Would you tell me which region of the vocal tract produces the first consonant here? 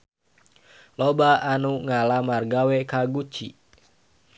tongue tip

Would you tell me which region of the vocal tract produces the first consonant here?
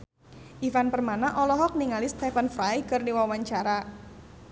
throat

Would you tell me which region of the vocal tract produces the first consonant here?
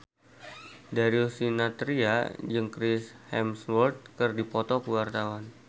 tongue tip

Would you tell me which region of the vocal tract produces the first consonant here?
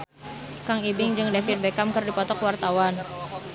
velum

